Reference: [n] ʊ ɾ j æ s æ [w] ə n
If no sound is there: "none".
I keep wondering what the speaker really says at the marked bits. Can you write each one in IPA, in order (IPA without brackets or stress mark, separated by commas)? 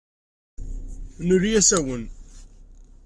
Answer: n, w